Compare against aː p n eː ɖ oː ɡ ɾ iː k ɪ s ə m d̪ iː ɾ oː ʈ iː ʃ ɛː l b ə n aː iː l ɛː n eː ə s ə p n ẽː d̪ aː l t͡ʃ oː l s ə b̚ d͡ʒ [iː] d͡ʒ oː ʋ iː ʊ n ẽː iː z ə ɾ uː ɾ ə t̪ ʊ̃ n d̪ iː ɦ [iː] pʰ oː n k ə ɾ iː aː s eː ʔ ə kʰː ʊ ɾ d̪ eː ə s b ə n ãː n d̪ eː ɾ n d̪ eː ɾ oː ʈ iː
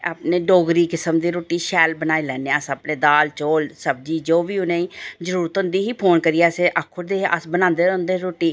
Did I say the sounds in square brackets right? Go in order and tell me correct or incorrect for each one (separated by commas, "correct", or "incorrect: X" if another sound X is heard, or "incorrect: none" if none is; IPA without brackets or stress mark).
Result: correct, correct